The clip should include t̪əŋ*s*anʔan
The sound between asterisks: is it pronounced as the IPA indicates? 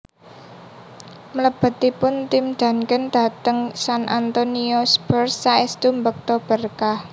yes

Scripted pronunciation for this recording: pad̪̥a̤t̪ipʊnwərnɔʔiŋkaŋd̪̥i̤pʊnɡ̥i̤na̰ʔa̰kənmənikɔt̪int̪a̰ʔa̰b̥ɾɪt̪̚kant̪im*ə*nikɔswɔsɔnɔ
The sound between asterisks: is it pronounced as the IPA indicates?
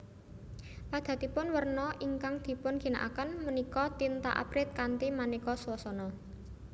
no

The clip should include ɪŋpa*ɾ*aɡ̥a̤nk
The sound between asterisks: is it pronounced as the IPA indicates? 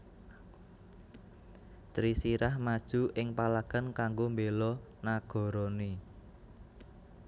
no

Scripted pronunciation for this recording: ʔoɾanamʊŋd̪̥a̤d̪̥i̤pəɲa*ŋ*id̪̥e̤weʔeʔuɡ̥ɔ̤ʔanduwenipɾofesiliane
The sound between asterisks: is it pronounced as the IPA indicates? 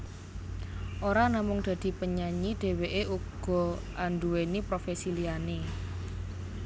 no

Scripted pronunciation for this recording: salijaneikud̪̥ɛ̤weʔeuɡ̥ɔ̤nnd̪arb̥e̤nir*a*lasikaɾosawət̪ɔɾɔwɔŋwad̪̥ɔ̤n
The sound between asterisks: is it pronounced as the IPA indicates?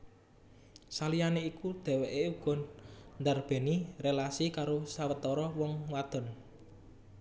no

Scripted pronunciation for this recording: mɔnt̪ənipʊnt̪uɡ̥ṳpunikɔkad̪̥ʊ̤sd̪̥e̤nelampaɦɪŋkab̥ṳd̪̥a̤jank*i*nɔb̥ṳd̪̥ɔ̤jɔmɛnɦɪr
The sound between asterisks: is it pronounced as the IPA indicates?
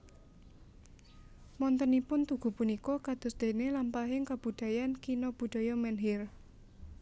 yes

